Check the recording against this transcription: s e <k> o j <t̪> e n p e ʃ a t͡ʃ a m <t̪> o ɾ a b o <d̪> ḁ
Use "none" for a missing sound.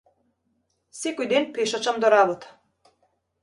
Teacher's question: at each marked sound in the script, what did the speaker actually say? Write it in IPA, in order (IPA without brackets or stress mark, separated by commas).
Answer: k, d̪, d̪, t̪